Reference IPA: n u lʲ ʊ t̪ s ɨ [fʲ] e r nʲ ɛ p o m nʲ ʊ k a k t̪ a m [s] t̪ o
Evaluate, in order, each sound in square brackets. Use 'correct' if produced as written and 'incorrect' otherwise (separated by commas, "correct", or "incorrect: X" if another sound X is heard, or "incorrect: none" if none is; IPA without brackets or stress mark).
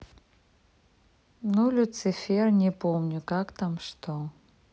correct, incorrect: ʂ